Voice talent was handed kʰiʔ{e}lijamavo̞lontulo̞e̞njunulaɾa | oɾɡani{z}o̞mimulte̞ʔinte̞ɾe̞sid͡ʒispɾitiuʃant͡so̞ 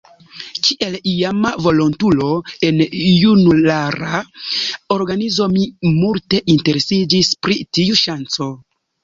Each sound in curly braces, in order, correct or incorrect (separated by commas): correct, correct